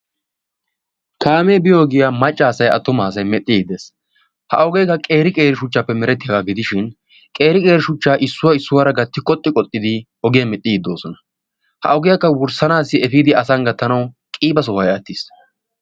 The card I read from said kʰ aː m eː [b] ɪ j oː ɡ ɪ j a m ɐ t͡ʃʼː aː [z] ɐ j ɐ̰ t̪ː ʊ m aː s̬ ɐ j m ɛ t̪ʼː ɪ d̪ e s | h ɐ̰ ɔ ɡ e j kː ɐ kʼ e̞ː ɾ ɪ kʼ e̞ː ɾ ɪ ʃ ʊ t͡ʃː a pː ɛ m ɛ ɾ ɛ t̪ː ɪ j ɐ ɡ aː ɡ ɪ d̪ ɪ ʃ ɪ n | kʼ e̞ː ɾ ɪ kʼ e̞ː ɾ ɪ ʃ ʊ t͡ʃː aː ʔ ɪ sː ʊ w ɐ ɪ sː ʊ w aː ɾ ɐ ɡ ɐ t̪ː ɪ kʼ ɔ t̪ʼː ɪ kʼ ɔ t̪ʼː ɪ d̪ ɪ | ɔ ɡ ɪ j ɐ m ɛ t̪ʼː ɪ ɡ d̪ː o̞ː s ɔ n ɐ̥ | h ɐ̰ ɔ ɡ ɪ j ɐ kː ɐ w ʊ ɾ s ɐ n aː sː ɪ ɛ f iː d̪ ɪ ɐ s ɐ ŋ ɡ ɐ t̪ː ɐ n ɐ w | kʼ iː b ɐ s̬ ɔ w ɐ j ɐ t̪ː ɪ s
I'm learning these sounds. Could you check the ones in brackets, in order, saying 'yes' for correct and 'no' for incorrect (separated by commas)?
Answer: yes, no